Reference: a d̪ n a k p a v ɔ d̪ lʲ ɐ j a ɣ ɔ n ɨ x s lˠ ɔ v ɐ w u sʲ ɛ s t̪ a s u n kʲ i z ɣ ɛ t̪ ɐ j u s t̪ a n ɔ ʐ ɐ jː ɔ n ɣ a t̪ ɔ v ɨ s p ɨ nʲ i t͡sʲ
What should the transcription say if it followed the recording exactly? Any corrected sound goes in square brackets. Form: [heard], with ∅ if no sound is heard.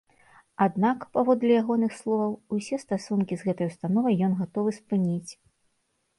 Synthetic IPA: a d̪ n a k p a v ɔ d̪ lʲ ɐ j a ɣ ɔ n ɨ x s lˠ ɔ v ɐ w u sʲ ɛ s t̪ a s u n kʲ i z ɣ ɛ t̪ ɐ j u s t̪ a n ɔ [v] ɐ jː ɔ n ɣ a t̪ ɔ v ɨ s p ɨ nʲ i t͡sʲ

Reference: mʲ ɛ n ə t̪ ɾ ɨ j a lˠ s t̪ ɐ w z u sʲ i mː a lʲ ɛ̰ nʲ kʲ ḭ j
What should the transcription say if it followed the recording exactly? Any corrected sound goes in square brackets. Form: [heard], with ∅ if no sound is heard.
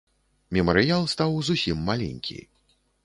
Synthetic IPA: mʲ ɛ [m] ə [∅] ɾ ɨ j a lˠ s t̪ [a] w z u sʲ i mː a lʲ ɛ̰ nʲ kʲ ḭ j

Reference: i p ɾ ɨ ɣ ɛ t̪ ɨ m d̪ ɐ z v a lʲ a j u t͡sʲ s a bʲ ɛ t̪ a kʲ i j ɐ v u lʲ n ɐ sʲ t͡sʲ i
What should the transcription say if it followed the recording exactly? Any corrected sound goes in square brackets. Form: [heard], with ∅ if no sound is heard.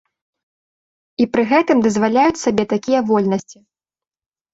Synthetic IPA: i p ɾ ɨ ɣ ɛ t̪ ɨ m d̪ ɐ z v a lʲ a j u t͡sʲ s a bʲ ɛ t̪ a kʲ i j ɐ v [ɔ] lʲ n ɐ sʲ t͡sʲ i

